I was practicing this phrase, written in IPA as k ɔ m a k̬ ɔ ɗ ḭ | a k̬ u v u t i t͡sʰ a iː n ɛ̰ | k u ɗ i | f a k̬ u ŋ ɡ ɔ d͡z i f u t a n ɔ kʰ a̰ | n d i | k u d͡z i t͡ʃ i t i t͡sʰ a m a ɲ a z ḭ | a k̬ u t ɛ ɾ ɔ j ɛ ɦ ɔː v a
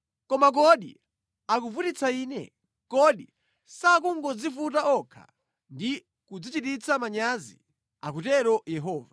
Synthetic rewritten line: k ɔ m a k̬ ɔ ɗ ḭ | a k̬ u v u t i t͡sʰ a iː n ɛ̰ | k ɔ ɗ i | s a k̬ u ŋ ɡ ɔ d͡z i f u t a ɔ kʰ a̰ | n d i | k u d͡z i t͡ʃ i t i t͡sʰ a m a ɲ a z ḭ | a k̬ u t ɛ ɾ ɔ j ɛ ɦ ɔː v a